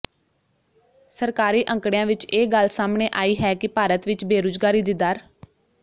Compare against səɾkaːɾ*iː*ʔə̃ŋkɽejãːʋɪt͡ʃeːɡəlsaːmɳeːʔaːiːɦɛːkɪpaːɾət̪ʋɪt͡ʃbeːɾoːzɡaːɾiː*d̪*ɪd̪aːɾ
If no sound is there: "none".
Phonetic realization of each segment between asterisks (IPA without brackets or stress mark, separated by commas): iː, d̪